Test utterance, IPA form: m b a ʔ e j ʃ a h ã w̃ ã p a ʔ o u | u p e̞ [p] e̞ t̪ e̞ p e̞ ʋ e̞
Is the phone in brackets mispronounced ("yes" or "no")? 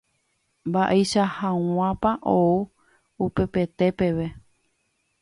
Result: no